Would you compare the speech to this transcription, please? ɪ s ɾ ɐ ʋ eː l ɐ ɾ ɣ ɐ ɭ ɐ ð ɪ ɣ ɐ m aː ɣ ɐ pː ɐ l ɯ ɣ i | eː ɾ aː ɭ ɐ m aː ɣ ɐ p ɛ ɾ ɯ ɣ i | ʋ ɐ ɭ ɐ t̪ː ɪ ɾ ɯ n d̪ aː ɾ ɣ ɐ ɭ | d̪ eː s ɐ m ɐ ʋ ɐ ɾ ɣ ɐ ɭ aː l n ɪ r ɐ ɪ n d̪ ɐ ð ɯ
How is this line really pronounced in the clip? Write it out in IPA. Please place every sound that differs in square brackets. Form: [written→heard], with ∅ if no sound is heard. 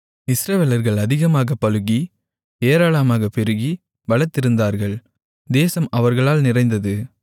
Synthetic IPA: ɪ s ɾ ɐ ʋ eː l ɐ ɾ ɣ ɐ ɭ ɐ ð ɪ ɣ ɐ m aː ɣ ɐ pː ɐ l ɯ ɣ i | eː ɾ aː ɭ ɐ m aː ɣ ɐ p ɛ ɾ ɯ ɣ i | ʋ ɐ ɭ ɐ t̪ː ɪ ɾ ɯ n d̪ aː ɾ ɣ ɐ ɭ | d̪ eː s ɐ m ɐ ʋ ɐ ɾ ɣ ɐ ɭ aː l n ɪ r ɐ ɪ n d̪ ɐ ð ɯ